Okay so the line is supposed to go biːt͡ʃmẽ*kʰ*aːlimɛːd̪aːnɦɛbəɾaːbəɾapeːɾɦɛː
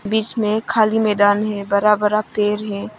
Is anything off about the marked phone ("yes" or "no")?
no